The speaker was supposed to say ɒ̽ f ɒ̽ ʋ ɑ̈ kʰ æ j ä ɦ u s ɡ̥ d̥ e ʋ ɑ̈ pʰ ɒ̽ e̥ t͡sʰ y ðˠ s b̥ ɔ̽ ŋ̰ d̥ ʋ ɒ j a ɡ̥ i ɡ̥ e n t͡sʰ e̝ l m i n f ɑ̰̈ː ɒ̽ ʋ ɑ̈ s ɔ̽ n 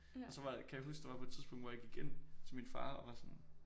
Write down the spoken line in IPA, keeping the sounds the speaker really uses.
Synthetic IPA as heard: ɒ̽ s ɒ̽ ʋ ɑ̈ kʰ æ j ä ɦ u s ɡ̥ d̥ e ʋ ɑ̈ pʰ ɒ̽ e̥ t͡sʰ i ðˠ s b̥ ɔ̽ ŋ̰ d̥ ʋ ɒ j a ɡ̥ i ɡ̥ e n t͡sʰ e̝ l m i n f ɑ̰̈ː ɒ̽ ʋ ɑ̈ s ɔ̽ n